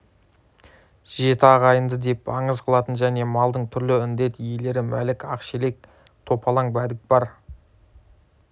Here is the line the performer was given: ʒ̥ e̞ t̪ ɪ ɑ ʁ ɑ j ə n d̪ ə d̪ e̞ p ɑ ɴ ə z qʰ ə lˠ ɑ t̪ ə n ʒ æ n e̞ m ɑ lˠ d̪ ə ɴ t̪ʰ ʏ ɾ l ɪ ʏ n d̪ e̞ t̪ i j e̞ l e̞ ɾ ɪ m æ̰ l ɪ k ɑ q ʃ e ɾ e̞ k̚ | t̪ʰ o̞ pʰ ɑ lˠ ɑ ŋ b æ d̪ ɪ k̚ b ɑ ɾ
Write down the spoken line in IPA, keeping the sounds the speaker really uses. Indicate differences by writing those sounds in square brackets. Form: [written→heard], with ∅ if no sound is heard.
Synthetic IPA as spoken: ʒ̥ e̞ t̪ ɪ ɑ ʁ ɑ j ə n d̪ ə d̪ e̞ p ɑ ɴ ə z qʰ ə lˠ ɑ t̪ ə n ʒ æ n e̞ m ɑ lˠ d̪ ə ɴ t̪ʰ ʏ ɾ l ɪ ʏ n d̪ e̞ t̪ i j e̞ l e̞ ɾ ɪ m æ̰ l ɪ k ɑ q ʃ e [ɾ→l] e̞ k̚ | t̪ʰ o̞ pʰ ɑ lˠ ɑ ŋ b æ d̪ ɪ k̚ b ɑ ɾ